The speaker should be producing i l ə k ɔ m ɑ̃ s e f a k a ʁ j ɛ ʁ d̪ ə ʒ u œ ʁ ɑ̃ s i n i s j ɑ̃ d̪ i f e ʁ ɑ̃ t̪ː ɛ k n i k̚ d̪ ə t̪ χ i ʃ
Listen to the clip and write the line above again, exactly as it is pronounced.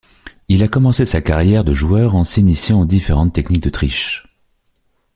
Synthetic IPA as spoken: i l a k ɔ m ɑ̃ s e s a k a ʁ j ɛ ʁ d̪ ə ʒ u œ ʁ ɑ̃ s i n i s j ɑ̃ d̪ i f e ʁ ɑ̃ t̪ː ɛ k n i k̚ d̪ ə t̪ χ i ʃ